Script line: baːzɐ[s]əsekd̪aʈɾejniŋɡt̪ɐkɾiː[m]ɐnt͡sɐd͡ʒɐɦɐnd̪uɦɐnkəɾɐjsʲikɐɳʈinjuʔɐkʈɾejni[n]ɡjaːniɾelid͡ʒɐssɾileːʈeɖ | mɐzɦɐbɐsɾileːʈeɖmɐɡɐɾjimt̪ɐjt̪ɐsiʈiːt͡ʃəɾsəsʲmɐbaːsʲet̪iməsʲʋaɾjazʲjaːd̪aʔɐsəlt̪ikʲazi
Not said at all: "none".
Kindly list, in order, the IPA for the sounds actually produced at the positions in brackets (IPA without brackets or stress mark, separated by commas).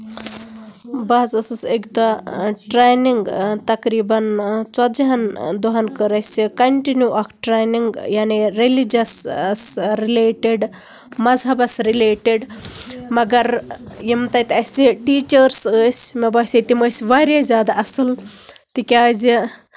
s, b, ŋ